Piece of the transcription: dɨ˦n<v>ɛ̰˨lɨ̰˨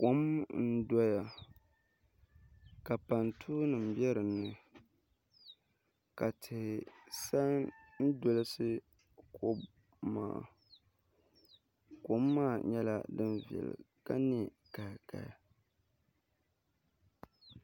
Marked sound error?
no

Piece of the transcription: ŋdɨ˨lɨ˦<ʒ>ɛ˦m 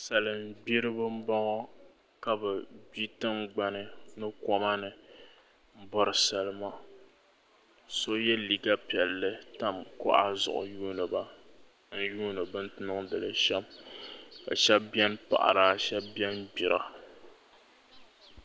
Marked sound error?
yes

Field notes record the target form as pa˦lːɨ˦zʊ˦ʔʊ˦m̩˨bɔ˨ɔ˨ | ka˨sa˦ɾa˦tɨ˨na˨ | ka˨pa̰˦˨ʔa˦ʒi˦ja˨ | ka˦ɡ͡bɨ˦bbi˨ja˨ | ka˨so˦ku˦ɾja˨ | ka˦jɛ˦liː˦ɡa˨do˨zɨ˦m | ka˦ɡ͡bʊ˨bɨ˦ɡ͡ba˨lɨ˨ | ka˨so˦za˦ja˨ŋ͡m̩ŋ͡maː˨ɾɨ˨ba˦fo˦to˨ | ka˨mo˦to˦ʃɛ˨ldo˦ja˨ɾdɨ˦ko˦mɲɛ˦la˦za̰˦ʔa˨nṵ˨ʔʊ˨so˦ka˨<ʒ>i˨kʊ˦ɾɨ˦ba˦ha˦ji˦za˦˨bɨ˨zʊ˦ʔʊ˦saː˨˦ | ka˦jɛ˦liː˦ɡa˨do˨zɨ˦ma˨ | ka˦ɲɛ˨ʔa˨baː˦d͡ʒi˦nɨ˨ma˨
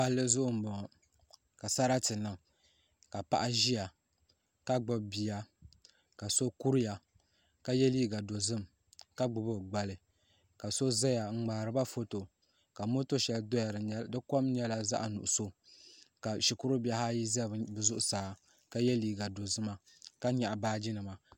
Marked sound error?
yes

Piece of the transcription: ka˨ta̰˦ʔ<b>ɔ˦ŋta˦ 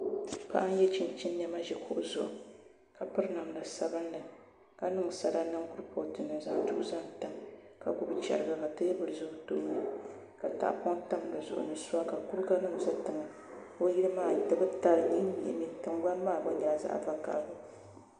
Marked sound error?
yes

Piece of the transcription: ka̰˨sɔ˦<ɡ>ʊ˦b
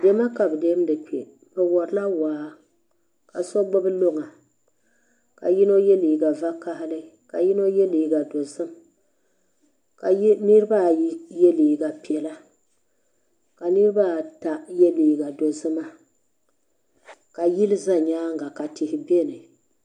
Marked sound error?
yes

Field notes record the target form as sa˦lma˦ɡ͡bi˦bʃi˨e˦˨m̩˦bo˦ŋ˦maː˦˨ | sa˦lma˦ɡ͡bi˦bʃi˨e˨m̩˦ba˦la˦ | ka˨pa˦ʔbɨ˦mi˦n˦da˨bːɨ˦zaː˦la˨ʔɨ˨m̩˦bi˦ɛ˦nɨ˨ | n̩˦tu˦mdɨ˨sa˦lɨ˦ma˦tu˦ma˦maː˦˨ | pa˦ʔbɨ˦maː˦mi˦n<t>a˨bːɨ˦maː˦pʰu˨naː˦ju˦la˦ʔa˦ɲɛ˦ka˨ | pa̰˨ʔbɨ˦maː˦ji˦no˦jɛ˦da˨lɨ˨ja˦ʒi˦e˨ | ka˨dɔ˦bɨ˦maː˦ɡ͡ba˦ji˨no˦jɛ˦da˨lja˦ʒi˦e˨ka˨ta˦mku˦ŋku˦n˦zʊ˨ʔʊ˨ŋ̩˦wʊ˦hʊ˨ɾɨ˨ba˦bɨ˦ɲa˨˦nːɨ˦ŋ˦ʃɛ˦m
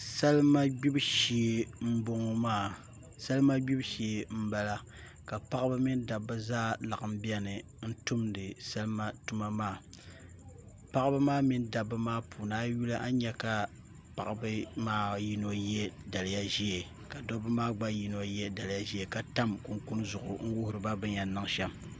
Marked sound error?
yes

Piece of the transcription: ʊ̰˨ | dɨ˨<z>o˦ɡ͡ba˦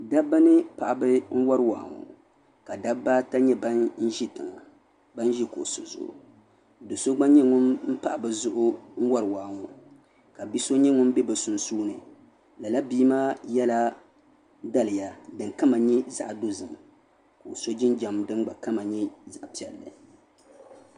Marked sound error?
yes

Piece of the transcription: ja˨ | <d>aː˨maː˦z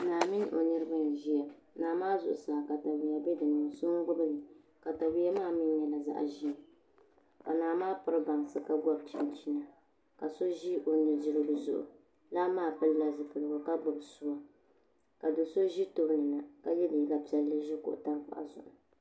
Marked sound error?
yes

